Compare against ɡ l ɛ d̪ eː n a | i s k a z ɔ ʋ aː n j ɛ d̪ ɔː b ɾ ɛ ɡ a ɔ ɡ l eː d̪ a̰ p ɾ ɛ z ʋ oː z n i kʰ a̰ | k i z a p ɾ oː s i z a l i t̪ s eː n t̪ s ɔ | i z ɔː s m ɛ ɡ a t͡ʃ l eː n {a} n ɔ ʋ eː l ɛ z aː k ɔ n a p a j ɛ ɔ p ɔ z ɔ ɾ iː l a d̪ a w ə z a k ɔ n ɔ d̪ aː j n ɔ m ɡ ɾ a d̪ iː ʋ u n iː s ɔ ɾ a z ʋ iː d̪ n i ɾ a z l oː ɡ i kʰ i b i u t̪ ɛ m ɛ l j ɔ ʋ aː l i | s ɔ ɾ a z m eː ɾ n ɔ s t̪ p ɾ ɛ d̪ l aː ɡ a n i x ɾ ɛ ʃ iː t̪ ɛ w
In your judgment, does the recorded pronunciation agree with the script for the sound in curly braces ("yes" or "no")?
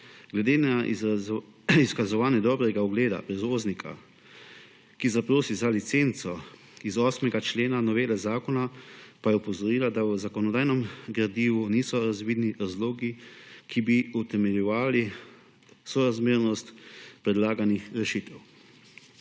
yes